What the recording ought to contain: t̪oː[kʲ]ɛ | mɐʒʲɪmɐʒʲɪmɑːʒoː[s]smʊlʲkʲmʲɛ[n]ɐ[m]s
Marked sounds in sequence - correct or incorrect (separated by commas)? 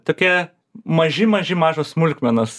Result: correct, correct, correct, incorrect